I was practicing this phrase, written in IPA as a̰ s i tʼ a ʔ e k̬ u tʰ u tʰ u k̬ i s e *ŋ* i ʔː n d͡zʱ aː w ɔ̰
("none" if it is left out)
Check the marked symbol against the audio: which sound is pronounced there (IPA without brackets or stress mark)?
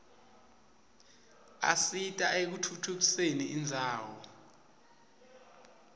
n